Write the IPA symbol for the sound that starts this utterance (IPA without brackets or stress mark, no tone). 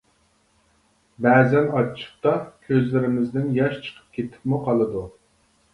b